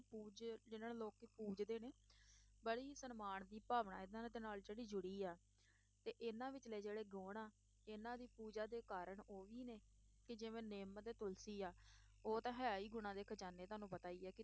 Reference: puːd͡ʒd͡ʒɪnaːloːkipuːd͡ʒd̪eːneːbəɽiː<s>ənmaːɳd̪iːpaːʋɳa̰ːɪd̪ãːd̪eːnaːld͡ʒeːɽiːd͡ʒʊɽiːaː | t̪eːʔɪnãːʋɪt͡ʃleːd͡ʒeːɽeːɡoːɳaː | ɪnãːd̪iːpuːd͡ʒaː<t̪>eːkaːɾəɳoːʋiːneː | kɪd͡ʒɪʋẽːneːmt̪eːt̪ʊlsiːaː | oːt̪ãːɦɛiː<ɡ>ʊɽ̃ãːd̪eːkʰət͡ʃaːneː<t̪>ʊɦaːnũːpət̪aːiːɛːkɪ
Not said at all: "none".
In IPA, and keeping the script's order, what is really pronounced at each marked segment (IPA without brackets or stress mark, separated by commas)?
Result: s, d̪, ɡ, t̪